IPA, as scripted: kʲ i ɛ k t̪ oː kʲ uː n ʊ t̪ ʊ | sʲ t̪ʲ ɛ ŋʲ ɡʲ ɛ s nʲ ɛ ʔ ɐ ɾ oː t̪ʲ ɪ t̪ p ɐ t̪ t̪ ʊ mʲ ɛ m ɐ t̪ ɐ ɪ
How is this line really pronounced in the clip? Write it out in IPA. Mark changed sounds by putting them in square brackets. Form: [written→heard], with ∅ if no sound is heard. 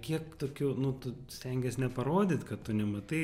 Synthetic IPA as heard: kʲ i ɛ k t̪ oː kʲ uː n ʊ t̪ ʊ | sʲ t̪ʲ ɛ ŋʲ ɡʲ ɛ s nʲ ɛ [ʔ→p] ɐ ɾ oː [t̪ʲ→d̪ʲ] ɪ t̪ [p→k] ɐ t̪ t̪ ʊ [mʲ→nʲ] ɛ m ɐ t̪ ɐ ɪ